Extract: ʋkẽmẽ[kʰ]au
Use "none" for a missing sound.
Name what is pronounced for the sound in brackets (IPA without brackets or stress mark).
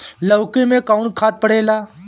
k